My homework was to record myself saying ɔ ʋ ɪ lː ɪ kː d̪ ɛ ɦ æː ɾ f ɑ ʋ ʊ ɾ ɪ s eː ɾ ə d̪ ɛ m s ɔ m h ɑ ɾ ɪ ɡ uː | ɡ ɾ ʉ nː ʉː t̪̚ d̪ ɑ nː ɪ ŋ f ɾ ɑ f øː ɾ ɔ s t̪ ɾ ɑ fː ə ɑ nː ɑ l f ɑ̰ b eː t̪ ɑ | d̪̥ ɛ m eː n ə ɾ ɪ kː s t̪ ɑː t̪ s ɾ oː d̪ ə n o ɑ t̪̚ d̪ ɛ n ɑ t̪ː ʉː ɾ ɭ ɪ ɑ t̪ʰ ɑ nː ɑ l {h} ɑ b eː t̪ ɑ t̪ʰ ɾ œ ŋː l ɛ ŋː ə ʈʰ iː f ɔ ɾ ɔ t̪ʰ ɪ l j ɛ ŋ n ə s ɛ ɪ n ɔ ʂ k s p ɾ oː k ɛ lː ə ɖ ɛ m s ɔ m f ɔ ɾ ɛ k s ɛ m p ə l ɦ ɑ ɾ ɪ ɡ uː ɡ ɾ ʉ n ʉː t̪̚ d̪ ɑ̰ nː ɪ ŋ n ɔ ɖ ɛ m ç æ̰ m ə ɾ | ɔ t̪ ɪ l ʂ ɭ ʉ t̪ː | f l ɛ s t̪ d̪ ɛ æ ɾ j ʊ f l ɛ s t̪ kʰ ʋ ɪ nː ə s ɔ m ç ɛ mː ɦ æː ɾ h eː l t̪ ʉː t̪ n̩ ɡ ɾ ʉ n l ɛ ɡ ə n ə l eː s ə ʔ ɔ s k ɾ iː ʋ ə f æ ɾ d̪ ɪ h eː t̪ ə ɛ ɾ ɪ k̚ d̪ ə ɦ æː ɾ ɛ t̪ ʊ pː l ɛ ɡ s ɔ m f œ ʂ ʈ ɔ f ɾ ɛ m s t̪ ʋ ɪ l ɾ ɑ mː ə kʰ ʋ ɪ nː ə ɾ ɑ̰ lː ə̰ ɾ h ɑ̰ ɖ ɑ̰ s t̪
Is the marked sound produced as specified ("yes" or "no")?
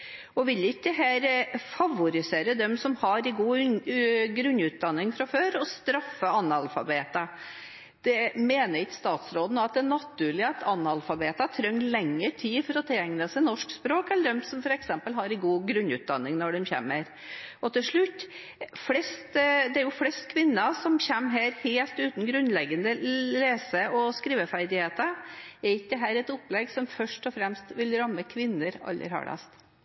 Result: no